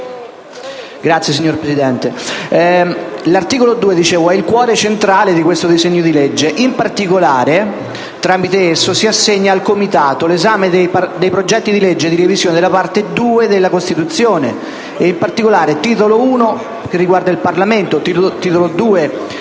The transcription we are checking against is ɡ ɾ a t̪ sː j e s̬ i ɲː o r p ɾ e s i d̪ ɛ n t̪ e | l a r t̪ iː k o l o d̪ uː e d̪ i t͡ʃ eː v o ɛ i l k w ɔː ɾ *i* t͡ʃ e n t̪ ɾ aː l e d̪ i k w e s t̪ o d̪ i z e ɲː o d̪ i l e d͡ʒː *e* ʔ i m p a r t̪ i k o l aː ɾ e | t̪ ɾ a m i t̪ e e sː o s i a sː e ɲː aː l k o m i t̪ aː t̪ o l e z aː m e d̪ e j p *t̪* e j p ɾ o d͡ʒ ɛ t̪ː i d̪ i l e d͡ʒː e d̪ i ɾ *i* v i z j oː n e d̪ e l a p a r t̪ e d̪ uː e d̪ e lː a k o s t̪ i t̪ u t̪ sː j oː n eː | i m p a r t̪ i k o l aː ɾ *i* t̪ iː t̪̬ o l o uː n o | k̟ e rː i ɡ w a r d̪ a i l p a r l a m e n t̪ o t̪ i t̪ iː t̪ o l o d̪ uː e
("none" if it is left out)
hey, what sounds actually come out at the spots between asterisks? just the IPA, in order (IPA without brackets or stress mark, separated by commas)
e, e, d̪, e, e